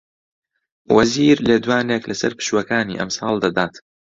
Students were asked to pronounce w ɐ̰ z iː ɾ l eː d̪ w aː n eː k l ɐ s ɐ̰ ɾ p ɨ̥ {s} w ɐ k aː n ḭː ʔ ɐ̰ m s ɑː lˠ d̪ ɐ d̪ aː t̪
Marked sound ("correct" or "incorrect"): incorrect